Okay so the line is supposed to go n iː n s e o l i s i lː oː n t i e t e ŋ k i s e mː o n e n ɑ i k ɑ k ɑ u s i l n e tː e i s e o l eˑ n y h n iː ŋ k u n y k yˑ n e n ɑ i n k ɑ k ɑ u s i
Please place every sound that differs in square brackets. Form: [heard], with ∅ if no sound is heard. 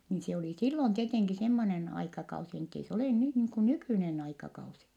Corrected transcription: n iː n s e o l i s i lː [o] n t i e t e ŋ k i s e mː o n e n ɑ i k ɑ k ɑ u s i [∅] n e tː e i s e o l eˑ n y h n iː ŋ k u n y k yˑ n e n ɑ i [∅] k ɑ k ɑ u s i